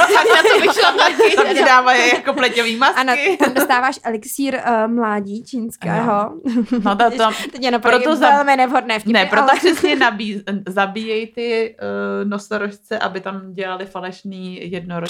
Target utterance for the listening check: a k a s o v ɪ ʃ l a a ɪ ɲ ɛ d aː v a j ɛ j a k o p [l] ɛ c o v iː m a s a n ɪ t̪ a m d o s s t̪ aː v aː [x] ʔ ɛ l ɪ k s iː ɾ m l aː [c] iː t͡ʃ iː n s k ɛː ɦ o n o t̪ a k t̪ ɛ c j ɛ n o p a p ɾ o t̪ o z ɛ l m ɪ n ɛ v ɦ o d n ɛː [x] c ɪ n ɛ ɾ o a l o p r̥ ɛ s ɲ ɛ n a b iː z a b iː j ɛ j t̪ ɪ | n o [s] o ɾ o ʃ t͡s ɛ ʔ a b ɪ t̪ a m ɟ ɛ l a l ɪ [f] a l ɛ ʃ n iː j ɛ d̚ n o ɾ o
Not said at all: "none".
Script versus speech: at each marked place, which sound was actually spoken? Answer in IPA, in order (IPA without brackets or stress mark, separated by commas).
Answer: l, ʃ, ɟ, f, s, f